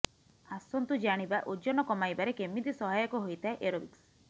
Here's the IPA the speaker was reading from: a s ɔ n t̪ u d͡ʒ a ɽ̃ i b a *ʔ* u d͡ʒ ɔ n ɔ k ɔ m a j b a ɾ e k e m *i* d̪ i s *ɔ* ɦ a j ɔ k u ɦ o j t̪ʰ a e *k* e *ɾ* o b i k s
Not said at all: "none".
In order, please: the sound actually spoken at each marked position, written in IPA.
ʔ, i, ɔ, ʔ, ɾ

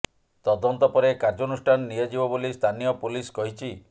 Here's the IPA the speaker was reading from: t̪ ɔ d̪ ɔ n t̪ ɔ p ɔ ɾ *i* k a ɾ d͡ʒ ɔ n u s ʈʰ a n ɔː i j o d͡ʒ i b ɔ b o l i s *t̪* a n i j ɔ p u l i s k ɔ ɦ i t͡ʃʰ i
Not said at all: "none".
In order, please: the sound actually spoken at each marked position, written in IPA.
e, t̪ʰ

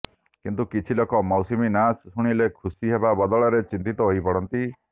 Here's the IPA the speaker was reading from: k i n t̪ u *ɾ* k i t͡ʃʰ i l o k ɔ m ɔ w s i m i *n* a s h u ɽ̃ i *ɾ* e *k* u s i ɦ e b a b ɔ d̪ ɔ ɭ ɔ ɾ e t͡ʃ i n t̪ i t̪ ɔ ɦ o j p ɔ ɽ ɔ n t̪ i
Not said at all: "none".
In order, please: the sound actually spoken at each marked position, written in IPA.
none, n, l, kʰ

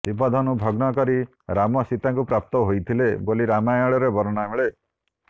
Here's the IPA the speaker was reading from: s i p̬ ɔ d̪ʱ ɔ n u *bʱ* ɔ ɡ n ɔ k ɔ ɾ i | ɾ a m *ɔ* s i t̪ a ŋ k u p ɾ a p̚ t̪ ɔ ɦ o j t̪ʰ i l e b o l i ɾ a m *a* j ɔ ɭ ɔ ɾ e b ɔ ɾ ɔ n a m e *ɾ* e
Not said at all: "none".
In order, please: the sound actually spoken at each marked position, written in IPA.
bʱ, ɔ, a, ɭ

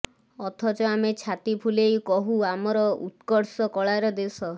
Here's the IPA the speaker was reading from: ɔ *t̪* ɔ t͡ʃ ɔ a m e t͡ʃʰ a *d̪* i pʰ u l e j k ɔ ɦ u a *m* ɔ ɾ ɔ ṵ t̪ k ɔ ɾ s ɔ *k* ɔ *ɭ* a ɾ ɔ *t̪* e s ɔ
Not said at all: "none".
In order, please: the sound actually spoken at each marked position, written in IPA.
t̪ʰ, t̪, m, k, ɭ, d̪

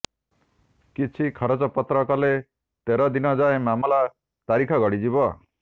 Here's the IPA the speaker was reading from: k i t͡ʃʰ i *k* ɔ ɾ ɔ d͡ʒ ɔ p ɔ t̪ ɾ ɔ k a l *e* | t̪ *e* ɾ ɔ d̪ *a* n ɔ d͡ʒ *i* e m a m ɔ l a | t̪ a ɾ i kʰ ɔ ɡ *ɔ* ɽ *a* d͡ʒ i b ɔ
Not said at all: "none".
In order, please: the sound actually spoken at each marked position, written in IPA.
kʰ, e, e, i, a, ɔ, i

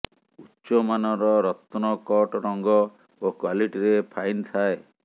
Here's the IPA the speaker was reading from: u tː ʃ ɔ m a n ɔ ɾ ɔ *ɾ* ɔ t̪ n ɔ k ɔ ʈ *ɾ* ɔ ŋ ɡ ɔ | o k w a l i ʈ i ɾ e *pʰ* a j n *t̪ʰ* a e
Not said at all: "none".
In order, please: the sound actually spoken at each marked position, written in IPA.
ɾ, ɾ, pʰ, t̪ʰ

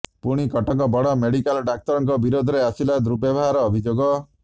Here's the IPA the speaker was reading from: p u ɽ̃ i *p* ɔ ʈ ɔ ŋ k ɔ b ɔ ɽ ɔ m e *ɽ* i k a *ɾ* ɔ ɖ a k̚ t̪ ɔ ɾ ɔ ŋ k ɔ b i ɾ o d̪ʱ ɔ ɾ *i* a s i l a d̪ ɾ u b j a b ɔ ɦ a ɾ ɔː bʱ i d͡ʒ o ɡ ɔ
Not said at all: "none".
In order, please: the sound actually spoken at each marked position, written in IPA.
k, ɽ, l, e

